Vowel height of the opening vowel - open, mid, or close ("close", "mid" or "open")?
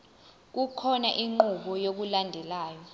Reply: close